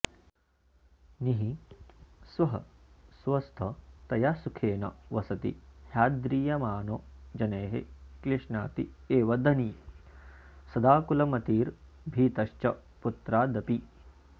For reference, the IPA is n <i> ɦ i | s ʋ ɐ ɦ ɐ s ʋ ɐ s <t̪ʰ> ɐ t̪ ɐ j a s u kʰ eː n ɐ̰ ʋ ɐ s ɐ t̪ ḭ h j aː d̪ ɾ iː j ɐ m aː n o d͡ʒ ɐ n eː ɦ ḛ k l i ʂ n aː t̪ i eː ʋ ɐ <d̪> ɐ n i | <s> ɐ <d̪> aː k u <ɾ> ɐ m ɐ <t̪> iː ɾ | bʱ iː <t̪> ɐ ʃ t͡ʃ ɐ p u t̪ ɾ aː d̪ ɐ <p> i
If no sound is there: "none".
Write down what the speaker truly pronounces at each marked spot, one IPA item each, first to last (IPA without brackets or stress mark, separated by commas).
i, t̪ʰ, d̪, s, d̪, l, t̪, t̪, p